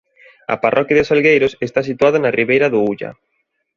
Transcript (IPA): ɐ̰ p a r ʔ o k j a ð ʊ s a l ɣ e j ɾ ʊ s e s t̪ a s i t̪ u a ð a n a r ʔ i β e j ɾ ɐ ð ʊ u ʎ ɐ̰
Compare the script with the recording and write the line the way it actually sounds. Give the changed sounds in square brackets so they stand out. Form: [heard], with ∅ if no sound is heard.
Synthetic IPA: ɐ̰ p a r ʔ [ɔ] k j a ð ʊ s a l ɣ e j ɾ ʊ s e s t̪ a s i t̪ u a ð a n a r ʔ i β e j ɾ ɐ ð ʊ u ʎ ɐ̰